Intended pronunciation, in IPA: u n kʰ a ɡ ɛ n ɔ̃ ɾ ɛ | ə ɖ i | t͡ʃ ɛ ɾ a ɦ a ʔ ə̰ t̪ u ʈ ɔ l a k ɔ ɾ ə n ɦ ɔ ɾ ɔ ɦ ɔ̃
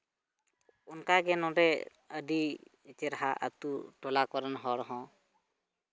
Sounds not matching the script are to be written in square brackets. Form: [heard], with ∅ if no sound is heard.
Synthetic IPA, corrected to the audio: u n [k] a ɡ ɛ n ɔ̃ ɾ ɛ | ə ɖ i | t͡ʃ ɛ ɾ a ɦ a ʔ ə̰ t̪ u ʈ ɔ l a k ɔ ɾ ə n ɦ ɔ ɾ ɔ ɦ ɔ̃